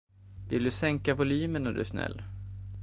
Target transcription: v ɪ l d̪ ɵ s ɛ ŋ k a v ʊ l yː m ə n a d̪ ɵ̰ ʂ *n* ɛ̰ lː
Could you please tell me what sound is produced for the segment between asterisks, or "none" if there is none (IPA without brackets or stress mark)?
n